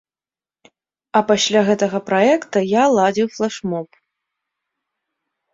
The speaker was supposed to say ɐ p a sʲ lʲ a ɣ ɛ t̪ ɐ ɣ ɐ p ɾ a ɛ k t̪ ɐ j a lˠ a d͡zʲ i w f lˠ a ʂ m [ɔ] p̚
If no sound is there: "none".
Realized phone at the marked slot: ɔ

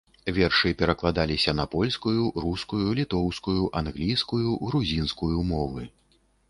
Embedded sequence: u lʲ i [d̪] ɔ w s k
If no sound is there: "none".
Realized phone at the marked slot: t̪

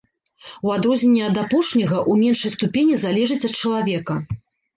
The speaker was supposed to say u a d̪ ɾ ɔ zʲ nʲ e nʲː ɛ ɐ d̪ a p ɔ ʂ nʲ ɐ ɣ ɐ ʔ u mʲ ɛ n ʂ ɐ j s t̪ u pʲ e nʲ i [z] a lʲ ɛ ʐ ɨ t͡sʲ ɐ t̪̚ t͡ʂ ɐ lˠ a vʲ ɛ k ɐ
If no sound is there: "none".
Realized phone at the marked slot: z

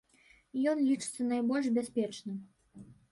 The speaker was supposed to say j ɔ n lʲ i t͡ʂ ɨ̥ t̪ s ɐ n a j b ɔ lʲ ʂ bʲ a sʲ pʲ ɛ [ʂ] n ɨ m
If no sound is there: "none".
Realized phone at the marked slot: t͡ʂ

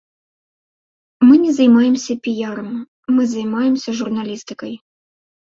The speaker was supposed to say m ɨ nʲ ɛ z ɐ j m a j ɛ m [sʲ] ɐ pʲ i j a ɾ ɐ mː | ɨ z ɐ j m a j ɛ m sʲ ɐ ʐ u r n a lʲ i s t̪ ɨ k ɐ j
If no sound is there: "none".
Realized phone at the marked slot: sʲ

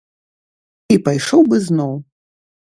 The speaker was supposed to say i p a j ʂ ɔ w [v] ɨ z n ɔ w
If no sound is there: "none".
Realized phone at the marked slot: b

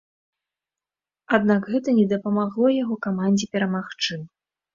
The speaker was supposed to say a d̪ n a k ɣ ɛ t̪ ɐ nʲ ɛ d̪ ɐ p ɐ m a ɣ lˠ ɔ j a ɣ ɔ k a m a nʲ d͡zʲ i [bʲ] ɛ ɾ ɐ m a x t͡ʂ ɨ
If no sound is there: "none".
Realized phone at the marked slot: pʲ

